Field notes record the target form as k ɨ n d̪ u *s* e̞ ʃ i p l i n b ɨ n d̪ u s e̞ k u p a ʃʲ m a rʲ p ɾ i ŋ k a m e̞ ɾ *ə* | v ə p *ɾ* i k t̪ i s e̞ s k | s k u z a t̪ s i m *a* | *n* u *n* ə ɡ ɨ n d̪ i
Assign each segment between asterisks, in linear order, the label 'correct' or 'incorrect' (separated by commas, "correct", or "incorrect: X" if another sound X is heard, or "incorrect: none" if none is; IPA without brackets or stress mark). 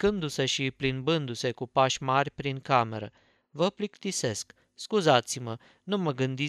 correct, correct, incorrect: l, incorrect: ə, correct, incorrect: m